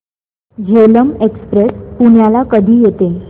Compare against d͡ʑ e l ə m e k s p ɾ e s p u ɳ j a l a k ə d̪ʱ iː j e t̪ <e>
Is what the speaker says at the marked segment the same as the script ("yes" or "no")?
yes